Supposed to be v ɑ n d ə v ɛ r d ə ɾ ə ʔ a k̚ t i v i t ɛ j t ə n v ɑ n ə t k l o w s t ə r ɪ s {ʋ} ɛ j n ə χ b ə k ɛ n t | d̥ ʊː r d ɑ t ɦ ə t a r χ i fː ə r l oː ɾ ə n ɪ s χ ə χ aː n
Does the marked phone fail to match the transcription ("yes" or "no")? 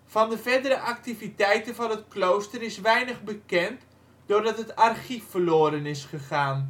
no